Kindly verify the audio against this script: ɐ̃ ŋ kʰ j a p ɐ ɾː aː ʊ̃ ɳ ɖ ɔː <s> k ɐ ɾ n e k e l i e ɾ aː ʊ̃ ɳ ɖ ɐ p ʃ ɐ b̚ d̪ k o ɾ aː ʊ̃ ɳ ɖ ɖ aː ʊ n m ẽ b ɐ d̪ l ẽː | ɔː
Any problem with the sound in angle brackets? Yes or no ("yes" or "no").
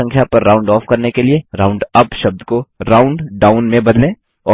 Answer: yes